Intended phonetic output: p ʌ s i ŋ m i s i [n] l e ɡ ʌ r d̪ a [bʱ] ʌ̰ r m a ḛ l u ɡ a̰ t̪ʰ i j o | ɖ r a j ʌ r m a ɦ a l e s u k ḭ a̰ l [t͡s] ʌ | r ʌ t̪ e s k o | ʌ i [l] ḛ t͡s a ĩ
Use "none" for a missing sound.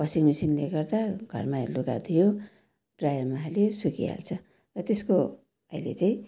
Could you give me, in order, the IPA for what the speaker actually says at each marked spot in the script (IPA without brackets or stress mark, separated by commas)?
n, ɡʱ, t͡sʰ, l